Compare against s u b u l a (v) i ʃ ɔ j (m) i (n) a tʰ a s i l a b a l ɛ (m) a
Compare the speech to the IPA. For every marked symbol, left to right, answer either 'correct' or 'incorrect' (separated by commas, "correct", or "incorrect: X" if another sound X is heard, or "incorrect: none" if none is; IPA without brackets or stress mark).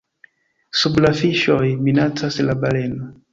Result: incorrect: f, correct, correct, incorrect: n